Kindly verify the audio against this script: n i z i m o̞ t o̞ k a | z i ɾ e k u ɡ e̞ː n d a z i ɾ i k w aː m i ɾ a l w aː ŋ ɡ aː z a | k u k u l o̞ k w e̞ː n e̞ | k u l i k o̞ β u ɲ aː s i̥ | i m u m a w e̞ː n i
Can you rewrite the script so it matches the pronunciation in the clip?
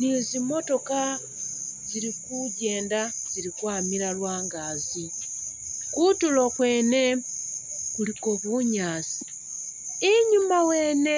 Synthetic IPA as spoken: n i z i m o̞ t o̞ k a | z i ɾ i k u ɟ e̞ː n d a z i ɾ i k w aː m i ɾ a l w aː ŋ ɡ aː z i | k u t u l o̞ k w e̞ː n e̞ | k u l i k o̞ β u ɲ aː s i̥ | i ɲ u m a w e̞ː n e